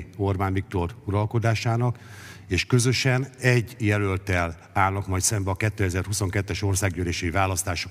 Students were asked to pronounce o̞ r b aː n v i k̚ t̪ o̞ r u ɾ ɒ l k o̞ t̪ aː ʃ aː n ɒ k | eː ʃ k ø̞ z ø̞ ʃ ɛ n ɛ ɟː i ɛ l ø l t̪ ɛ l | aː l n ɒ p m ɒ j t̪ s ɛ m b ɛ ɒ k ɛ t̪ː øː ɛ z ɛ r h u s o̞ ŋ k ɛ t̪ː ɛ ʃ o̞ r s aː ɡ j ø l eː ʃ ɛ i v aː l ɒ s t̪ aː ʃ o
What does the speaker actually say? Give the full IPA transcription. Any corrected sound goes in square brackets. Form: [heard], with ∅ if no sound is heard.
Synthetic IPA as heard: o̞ r b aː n v i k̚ t̪ o̞ r u ɾ ɒ l k o̞ [d̪] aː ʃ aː n ɒ k | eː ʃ k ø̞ z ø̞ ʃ ɛ n ɛ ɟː [j] ɛ l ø l t̪ ɛ l | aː l n ɒ [k] m ɒ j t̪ s ɛ m b ɛ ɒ k ɛ t̪ː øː ɛ z ɛ r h u s o̞ ŋ k ɛ t̪ː ɛ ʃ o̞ r s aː ɡ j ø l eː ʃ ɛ i v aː l ɒ s t̪ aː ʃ o